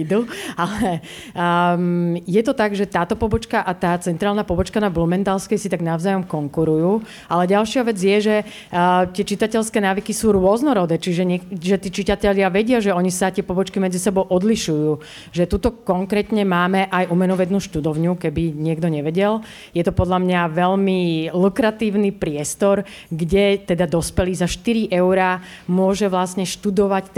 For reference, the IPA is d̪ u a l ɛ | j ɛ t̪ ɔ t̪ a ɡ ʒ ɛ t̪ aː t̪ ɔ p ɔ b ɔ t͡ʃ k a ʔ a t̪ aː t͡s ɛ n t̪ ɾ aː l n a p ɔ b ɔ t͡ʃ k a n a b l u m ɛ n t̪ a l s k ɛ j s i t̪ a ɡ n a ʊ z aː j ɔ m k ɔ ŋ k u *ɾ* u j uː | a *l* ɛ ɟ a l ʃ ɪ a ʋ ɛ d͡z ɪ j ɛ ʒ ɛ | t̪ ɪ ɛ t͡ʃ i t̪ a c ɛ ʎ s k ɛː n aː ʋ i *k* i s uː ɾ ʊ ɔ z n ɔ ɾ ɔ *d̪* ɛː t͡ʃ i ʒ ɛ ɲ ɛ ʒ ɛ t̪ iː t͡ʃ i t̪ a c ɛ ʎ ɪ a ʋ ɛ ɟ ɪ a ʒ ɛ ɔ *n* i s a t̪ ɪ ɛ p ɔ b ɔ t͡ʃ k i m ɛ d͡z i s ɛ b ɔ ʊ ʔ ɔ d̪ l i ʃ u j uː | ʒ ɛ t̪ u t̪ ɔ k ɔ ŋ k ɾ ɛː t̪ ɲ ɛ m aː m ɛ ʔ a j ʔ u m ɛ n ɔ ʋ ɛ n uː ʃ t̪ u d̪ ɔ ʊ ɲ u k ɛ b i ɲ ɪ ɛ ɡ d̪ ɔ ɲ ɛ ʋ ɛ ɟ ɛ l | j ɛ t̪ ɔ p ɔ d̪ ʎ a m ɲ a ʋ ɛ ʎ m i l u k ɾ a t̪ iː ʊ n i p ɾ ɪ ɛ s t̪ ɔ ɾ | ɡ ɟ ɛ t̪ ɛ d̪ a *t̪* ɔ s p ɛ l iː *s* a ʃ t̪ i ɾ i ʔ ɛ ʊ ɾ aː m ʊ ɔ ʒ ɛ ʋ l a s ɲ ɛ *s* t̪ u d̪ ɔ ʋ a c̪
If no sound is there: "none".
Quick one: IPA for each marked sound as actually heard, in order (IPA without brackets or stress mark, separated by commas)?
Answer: ɾ, l, k, d̪, ɲ, d̪, z, ʃ